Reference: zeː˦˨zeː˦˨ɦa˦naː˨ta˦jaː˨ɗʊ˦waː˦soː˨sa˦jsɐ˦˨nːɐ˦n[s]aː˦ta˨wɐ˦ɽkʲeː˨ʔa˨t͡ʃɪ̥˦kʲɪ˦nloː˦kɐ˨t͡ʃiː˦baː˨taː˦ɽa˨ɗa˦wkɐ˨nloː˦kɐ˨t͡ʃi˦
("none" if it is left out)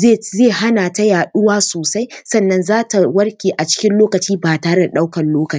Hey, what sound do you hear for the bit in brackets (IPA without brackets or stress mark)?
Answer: z